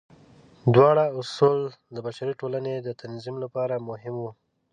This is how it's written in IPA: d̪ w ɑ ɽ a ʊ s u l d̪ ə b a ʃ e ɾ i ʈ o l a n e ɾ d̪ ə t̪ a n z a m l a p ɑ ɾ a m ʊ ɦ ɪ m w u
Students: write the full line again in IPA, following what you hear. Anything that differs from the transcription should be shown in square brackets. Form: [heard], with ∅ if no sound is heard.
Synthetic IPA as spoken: d̪ w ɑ ɽ a ʊ s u l d̪ ə b a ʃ [a] ɾ i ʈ o l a n e [∅] d̪ ə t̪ a n z [i] m l a p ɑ ɾ a m ʊ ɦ ɪ m w u